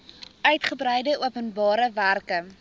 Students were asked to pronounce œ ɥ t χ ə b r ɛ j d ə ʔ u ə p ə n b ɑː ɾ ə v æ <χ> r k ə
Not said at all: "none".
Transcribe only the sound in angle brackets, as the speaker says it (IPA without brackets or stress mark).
none